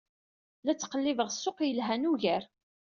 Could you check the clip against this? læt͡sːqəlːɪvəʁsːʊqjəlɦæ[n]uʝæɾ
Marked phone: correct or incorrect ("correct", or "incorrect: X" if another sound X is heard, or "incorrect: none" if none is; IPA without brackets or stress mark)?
correct